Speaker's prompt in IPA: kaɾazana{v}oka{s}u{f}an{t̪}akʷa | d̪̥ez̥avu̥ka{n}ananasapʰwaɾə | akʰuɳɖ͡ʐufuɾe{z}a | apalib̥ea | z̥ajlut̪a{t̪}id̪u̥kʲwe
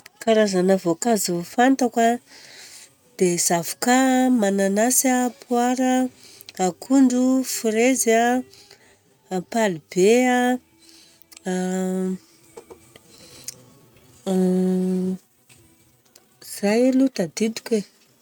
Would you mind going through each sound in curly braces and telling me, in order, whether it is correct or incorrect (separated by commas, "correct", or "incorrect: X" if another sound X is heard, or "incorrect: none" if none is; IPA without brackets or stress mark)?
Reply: correct, incorrect: z, correct, correct, incorrect: m, correct, incorrect: d̪